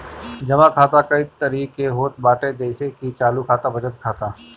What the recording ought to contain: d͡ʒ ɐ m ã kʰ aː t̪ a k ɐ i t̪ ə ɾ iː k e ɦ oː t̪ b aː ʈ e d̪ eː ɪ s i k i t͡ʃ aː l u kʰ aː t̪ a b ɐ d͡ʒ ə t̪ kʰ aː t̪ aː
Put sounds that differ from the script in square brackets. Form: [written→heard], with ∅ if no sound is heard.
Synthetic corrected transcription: d͡ʒ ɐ m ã kʰ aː t̪ a k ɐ i t̪ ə ɾ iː k e ɦ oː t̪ b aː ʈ e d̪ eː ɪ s [i→e] k i t͡ʃ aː l u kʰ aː t̪ a b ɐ d͡ʒ ə t̪ kʰ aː t̪ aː

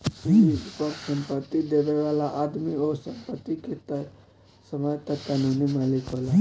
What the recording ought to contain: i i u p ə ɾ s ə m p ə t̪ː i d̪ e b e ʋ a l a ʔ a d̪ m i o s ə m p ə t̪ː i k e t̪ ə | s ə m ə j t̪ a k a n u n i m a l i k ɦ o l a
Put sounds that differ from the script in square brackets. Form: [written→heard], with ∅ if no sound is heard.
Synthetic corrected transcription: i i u p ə ɾ s ə m p ə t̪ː i d̪ e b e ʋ a l a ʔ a d̪ m i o s ə m p ə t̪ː i k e t̪ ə | s ə m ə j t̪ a k a n u n i m a l i k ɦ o l a

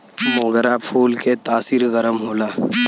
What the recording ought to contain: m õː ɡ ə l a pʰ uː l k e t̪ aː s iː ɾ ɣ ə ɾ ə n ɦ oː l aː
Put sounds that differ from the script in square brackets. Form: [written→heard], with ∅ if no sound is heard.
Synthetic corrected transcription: m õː ɡ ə [l→ɾ] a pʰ uː l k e t̪ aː s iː ɾ ɣ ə ɾ ə [n→m] ɦ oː l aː

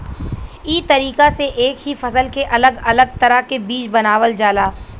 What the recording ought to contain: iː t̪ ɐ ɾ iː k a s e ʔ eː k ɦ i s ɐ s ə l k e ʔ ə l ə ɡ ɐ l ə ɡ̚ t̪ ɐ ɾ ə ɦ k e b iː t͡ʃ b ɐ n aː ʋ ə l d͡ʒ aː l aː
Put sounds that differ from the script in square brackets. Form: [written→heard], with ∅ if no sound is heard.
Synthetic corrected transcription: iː t̪ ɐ ɾ iː k a s e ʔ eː k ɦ i [s→f] ɐ s ə l k e ʔ [ə→ɐ] l ə ɡ ɐ l ə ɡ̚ t̪ ɐ ɾ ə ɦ k e b iː t͡ʃ b ɐ n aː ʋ ə l d͡ʒ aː l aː

